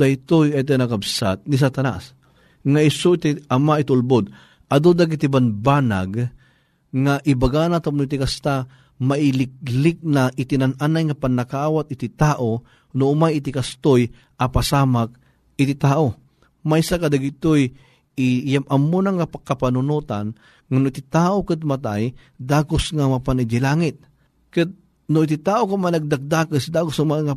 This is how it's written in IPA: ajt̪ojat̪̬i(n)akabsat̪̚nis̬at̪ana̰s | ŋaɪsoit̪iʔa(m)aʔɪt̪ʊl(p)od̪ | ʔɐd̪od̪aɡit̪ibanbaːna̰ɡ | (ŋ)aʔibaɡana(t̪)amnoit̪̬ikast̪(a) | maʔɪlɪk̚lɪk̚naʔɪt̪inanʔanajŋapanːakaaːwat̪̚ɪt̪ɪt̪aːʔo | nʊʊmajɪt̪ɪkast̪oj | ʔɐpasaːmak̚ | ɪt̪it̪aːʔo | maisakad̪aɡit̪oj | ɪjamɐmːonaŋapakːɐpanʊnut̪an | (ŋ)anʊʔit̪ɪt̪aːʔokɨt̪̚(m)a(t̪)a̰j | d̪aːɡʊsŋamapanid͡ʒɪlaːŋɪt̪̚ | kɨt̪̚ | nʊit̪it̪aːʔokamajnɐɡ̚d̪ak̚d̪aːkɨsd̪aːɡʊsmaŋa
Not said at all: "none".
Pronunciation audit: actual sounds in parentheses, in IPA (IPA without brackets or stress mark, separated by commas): n, m, b, ŋ, t̪, a, ŋ, m, t̪